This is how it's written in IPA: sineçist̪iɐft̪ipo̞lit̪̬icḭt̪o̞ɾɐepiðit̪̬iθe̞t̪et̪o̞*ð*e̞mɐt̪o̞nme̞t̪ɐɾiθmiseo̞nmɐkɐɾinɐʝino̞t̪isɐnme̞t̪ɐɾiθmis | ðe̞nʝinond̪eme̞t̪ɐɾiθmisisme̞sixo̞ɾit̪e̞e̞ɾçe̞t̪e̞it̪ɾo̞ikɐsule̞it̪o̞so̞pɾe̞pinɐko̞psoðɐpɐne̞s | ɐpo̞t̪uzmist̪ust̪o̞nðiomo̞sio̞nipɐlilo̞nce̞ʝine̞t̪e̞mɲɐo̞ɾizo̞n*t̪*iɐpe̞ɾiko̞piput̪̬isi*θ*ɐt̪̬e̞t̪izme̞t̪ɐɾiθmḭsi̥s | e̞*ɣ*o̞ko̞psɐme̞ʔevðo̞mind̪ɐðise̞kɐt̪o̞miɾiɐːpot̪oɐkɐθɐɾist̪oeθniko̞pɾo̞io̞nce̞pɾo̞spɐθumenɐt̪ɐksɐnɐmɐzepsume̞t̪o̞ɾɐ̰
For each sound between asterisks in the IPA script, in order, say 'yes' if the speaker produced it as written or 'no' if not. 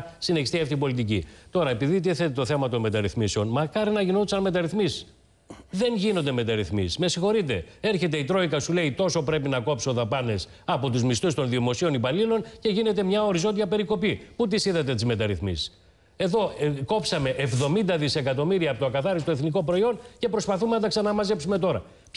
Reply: no, no, no, no

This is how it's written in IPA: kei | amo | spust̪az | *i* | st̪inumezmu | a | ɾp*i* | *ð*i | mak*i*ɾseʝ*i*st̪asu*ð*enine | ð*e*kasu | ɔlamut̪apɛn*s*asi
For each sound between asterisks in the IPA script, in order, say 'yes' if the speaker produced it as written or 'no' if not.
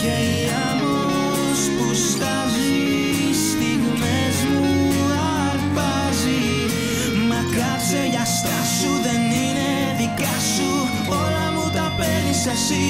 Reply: yes, no, no, no, no, yes, no, yes

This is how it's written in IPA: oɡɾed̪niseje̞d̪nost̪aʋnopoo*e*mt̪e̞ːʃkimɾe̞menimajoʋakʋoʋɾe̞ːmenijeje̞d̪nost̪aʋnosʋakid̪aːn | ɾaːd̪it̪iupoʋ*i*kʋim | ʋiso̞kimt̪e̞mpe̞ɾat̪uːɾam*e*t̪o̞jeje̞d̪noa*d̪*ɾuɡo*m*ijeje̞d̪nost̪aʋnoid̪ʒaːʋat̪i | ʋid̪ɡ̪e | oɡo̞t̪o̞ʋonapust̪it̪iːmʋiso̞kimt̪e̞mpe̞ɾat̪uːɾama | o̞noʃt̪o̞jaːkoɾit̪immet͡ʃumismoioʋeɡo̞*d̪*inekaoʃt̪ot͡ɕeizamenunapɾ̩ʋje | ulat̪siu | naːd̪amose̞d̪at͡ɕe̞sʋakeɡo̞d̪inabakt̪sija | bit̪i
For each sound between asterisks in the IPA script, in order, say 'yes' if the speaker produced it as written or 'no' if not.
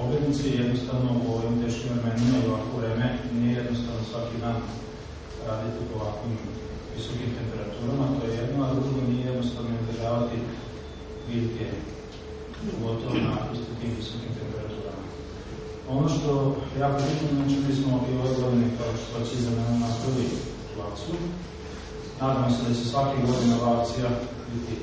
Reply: no, no, no, yes, no, yes

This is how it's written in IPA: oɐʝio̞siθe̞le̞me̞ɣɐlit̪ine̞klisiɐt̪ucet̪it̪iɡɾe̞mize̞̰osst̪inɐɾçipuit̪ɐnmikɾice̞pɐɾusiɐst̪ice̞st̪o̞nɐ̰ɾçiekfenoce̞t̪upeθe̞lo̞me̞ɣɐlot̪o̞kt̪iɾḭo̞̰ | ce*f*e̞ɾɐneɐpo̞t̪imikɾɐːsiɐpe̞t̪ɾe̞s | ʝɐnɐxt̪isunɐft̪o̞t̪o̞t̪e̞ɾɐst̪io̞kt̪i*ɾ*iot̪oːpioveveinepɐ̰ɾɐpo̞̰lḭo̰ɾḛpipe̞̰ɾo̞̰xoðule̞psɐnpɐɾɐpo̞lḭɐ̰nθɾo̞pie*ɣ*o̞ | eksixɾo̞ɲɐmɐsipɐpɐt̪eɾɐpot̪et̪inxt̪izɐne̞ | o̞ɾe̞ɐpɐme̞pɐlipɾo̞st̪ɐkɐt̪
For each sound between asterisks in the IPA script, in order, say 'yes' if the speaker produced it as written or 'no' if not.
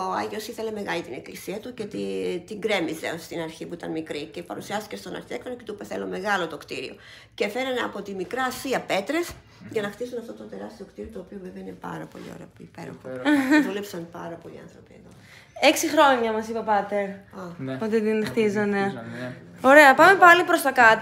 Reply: yes, yes, no

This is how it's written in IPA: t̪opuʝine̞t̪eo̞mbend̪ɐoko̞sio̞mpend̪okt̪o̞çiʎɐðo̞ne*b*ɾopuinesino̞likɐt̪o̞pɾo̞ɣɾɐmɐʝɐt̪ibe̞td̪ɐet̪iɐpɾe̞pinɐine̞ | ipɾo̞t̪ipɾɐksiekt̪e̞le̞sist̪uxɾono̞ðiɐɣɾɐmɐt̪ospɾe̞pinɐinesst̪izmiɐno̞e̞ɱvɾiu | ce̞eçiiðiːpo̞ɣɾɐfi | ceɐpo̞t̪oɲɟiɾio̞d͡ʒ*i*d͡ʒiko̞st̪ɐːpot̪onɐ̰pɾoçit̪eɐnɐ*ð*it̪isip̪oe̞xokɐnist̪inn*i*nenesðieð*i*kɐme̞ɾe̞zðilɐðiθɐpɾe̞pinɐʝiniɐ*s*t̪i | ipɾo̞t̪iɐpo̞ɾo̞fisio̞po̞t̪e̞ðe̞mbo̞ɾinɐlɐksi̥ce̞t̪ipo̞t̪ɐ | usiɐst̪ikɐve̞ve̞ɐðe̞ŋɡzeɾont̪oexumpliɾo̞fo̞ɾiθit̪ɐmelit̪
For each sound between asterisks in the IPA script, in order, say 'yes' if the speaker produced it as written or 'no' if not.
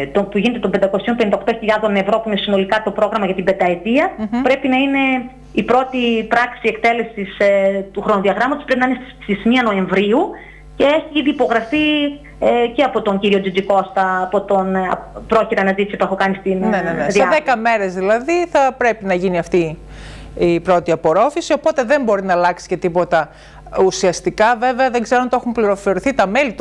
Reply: no, yes, no, no, no, no

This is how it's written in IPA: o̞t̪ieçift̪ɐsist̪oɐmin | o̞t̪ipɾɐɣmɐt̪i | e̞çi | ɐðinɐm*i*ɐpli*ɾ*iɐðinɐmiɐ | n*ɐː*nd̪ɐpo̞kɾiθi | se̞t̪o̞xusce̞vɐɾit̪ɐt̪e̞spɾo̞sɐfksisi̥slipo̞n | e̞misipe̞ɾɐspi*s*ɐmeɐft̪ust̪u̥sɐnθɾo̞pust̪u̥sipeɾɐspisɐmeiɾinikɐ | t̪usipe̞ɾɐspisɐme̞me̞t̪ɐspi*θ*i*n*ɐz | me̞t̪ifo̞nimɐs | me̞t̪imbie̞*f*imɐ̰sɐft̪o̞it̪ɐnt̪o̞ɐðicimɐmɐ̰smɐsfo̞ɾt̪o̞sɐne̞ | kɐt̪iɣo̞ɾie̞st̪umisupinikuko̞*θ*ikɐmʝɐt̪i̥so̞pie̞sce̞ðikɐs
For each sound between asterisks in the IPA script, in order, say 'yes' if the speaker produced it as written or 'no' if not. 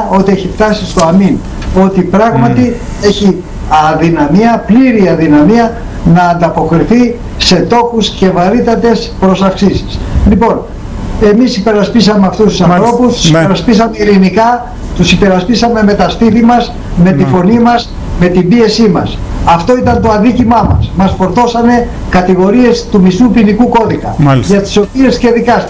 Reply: yes, yes, yes, yes, yes, no, no, no

